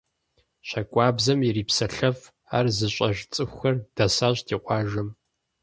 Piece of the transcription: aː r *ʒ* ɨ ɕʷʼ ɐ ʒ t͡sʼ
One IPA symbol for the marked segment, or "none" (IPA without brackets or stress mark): z